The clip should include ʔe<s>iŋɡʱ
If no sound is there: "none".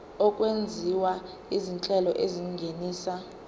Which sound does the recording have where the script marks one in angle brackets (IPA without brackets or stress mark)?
z